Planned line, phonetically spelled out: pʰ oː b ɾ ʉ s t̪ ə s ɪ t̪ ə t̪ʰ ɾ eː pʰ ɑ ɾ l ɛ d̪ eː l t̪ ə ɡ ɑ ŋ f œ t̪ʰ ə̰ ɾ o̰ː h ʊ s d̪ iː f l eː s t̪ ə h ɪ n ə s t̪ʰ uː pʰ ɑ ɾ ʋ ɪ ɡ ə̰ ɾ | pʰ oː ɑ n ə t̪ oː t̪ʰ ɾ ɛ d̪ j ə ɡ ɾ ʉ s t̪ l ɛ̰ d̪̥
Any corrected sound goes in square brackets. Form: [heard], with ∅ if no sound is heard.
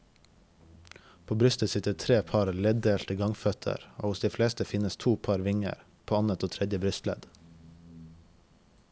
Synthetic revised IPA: pʰ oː b ɾ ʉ s t̪ ə s ɪ t̪ ə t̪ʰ ɾ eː pʰ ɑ ɾ l ɛ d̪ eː l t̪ ə ɡ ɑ ŋ f œ t̪ʰ ə̰ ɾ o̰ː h ʊ s d̪ iː f l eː s t̪ ə [f] ɪ n ə s t̪ʰ uː pʰ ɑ ɾ ʋ ɪ [ŋ] ə̰ ɾ | pʰ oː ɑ n ə t̪ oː t̪ʰ ɾ ɛ d̪ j ə [b] ɾ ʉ s t̪ l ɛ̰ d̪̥